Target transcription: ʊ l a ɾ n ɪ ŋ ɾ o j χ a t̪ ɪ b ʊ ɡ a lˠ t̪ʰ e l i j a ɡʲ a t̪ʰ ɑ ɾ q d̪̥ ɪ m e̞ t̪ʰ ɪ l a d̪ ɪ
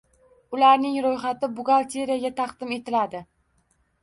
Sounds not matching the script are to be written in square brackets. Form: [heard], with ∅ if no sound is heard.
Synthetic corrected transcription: ʊ l a ɾ n ɪ ŋ ɾ o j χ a t̪ ɪ b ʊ ɡ a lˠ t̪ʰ e [ɾ] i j a ɡʲ a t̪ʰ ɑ [∅] q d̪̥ ɪ m e̞ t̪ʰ ɪ l a d̪ ɪ